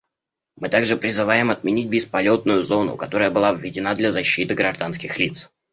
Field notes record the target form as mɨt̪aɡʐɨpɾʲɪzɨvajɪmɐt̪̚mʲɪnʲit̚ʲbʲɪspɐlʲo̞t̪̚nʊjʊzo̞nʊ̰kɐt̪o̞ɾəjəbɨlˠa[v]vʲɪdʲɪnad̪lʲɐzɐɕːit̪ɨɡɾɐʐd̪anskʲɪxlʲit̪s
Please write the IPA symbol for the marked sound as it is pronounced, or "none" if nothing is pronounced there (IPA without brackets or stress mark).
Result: v